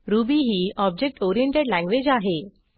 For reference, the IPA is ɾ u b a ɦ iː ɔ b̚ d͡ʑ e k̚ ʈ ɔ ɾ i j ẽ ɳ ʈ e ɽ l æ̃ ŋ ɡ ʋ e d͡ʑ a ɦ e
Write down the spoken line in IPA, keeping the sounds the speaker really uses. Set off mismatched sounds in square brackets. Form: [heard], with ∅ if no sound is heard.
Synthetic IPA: ɾ u b [i] ɦ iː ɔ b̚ d͡ʑ e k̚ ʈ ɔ ɾ i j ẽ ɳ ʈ e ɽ l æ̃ ŋ ɡ ʋ e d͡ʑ a ɦ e